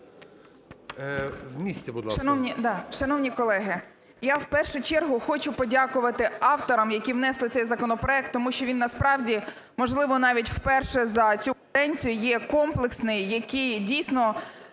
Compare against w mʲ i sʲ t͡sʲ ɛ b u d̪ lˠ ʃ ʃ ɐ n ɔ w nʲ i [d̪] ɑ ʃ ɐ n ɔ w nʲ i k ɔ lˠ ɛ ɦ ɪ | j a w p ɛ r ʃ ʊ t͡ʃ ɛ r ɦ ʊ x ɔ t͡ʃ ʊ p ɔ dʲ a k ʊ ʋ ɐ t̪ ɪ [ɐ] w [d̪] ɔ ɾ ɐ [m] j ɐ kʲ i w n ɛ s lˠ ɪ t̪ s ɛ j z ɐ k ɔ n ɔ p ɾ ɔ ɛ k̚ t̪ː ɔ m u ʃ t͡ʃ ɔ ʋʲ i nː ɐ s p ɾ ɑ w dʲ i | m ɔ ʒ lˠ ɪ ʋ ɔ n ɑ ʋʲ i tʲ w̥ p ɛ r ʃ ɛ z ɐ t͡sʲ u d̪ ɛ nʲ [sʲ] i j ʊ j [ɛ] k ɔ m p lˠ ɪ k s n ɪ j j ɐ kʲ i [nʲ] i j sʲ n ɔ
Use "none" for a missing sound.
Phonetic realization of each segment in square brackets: d̪, ɑ, t̪, m, t͡sʲ, ɛ, dʲ

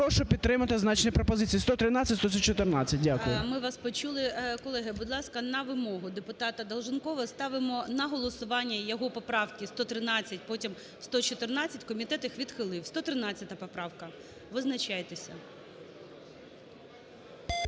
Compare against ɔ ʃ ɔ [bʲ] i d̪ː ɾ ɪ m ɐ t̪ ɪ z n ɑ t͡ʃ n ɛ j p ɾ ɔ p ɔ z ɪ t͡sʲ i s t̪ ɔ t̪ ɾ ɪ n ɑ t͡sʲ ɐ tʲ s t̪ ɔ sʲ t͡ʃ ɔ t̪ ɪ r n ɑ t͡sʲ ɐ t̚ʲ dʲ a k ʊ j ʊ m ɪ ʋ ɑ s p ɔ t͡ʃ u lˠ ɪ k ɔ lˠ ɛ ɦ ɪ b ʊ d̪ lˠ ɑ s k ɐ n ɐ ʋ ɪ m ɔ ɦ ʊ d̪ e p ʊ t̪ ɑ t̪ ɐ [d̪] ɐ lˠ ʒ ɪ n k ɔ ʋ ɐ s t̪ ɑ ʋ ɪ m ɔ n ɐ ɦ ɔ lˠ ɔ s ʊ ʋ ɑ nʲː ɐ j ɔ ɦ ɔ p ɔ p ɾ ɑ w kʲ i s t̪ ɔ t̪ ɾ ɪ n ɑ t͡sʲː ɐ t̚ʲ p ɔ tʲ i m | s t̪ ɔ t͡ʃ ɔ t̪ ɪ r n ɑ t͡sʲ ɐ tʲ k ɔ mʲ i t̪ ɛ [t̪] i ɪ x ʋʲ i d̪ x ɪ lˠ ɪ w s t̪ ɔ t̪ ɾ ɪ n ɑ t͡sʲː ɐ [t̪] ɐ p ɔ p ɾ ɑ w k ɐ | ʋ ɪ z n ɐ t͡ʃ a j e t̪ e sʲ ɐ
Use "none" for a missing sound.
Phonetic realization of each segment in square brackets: pʲ, d̪, t̪, t̪

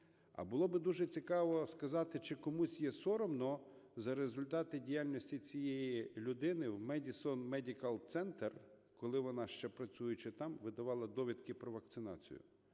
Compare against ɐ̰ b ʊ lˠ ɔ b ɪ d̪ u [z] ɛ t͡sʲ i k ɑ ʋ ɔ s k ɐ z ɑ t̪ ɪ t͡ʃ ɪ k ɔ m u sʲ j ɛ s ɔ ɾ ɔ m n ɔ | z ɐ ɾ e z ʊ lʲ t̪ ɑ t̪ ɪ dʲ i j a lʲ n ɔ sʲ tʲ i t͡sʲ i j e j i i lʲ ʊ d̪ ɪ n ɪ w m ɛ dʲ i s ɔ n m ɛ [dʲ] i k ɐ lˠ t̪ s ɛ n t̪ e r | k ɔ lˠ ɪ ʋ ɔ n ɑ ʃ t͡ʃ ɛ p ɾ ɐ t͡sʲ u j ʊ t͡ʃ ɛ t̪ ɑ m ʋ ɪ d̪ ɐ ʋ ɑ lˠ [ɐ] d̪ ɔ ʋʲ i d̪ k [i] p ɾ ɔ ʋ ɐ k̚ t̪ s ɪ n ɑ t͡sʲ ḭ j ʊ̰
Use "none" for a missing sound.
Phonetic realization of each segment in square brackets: ʒ, dʲ, ɐ, ɪ

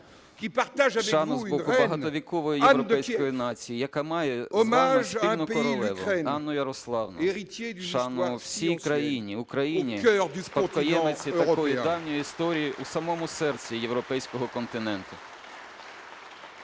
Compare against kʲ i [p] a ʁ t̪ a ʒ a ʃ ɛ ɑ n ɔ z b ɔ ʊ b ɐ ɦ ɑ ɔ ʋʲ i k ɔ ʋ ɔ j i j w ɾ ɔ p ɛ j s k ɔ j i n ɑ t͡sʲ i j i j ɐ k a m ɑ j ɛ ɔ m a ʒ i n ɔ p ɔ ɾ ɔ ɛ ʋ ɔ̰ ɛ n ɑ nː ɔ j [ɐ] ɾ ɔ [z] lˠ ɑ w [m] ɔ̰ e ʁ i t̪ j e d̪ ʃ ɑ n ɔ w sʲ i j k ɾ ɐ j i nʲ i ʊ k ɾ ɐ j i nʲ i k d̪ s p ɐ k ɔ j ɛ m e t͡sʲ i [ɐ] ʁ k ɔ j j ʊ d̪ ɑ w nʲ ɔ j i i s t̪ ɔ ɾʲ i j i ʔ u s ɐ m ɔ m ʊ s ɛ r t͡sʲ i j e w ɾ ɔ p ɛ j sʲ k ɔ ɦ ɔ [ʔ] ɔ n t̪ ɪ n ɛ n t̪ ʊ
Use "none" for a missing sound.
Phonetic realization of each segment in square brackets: p, ɐ, s, n, ɐ, k

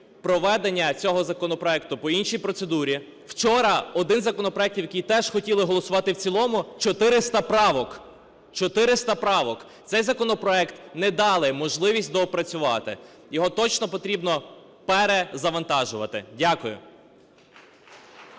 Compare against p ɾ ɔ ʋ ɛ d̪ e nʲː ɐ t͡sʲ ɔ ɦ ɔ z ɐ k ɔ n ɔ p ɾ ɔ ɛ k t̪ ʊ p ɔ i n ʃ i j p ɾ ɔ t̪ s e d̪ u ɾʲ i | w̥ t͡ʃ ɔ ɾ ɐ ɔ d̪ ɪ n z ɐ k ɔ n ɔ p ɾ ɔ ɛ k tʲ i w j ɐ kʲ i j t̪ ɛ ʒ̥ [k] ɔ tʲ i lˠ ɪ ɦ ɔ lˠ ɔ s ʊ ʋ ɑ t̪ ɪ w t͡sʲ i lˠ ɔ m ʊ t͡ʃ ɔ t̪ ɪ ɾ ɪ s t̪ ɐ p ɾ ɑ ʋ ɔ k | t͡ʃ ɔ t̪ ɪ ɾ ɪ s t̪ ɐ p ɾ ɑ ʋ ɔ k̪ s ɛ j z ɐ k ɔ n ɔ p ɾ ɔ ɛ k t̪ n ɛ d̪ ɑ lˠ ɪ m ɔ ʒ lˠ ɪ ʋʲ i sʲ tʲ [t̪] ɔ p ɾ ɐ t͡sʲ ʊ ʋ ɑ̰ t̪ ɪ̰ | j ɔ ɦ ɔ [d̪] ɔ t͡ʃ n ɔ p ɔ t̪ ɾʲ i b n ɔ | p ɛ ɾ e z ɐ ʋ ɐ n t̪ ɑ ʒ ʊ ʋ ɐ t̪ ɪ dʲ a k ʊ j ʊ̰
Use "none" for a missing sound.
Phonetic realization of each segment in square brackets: x, d̪, t̪

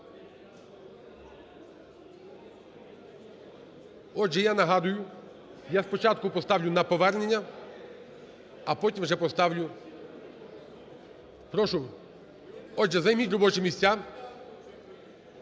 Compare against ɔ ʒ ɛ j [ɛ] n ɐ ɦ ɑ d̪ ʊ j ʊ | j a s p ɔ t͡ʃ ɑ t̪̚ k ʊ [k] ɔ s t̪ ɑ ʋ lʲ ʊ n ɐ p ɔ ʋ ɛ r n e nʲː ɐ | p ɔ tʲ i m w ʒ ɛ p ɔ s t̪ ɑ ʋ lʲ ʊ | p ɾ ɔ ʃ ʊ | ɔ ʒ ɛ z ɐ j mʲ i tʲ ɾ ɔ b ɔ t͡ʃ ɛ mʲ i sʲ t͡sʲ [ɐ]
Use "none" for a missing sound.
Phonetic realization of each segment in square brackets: a, p, a

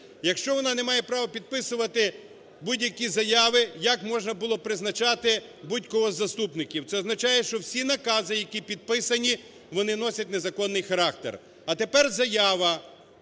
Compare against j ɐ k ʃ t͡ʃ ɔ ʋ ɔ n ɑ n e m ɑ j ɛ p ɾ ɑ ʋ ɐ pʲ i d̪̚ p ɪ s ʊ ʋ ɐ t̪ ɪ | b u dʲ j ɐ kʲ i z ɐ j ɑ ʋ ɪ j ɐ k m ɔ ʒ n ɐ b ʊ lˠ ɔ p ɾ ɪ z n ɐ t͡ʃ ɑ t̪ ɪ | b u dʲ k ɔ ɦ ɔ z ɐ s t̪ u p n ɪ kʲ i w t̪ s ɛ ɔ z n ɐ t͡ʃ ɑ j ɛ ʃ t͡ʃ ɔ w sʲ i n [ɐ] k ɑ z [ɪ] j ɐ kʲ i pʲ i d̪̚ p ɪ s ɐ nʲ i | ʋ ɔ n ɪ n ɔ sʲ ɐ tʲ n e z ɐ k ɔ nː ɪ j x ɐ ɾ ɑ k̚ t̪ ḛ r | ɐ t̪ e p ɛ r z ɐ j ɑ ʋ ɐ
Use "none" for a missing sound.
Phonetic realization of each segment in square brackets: ɐ, ɪ

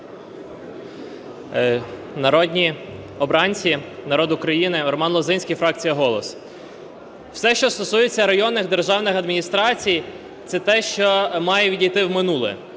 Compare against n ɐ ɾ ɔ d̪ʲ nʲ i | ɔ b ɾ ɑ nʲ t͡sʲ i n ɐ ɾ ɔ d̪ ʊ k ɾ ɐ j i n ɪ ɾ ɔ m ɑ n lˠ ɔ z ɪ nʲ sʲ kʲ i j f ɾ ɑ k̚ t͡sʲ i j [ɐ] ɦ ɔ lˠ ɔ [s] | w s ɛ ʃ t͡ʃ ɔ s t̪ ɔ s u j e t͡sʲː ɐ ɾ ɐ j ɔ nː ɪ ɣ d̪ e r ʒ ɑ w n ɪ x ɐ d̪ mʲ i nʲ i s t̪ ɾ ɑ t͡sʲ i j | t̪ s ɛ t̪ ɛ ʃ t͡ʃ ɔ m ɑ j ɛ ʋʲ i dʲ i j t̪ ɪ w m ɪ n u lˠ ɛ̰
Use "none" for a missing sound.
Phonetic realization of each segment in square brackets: ɐ, s

